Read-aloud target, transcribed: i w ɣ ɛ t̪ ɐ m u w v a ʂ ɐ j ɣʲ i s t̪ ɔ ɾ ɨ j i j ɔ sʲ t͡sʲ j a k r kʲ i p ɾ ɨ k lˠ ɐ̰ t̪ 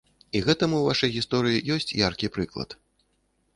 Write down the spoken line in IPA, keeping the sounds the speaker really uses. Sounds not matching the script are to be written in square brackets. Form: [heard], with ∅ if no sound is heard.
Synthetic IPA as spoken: i [∅] ɣ ɛ t̪ ɐ m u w v a ʂ ɐ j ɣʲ i s t̪ ɔ ɾ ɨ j i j ɔ sʲ t͡sʲ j a [∅] r kʲ i p ɾ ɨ k lˠ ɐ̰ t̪